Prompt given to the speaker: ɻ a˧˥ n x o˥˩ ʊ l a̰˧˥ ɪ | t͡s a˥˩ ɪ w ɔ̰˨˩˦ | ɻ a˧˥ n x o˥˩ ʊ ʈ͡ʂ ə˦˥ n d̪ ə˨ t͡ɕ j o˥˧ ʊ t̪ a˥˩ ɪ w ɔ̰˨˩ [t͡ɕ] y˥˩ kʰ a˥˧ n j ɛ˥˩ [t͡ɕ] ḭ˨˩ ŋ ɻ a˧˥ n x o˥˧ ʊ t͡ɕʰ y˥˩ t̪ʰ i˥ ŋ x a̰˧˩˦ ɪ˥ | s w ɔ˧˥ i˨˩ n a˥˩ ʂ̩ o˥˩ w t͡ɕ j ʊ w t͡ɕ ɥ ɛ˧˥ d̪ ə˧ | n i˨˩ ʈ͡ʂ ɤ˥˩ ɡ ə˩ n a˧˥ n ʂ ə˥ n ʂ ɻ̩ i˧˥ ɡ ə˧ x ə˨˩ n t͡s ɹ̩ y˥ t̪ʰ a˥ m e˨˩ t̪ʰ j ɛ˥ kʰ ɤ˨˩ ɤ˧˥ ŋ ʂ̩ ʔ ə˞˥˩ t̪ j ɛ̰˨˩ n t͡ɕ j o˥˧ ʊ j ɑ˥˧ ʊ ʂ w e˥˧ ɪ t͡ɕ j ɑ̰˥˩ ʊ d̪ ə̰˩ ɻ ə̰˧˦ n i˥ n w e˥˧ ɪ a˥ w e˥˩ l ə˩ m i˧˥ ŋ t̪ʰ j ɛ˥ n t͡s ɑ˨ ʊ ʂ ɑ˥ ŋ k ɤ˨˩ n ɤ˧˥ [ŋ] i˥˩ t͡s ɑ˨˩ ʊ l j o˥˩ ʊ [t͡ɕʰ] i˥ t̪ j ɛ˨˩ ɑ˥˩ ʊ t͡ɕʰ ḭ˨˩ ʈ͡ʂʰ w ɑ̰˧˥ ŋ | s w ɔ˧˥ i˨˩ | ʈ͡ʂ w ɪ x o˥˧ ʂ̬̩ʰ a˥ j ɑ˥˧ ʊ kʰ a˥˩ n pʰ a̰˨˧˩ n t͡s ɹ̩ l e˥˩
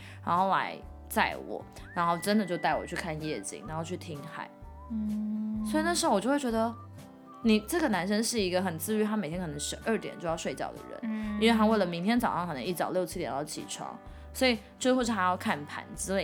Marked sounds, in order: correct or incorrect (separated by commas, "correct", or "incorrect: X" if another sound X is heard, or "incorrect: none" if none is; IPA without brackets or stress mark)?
incorrect: t͡ɕʰ, correct, correct, correct